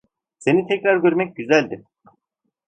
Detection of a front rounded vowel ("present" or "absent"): present